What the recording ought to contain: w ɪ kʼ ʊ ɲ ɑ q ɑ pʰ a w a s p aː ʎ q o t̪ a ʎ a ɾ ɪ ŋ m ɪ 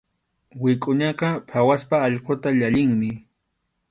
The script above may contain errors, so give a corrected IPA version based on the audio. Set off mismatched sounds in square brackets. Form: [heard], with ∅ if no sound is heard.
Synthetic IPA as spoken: w ɪ kʼ ʊ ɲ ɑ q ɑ pʰ a w a s p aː ʎ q o t̪ a ʎ a [ʎ] ɪ ŋ m ɪ